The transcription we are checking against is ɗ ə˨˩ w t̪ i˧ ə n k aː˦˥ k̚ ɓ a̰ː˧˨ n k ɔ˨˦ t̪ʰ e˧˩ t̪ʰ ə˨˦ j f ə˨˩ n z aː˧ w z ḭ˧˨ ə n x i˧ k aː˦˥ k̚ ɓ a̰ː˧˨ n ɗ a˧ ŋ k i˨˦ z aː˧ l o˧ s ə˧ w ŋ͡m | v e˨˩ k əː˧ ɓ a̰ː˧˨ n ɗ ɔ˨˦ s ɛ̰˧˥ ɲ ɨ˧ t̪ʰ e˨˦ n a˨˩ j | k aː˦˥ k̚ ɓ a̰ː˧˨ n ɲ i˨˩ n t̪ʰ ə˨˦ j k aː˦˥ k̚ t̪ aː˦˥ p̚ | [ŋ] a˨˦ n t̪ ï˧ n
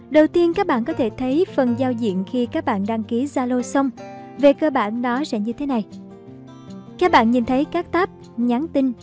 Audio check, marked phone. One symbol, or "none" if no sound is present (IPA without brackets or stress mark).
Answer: ɲ